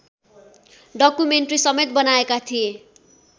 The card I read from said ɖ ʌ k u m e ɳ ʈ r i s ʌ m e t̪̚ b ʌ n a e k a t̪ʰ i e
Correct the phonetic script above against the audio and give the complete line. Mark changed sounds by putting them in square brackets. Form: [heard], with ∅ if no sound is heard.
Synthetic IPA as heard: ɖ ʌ k u m e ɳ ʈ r i s ʌ m e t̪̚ b ʌ n a e k a t̪ʰ i e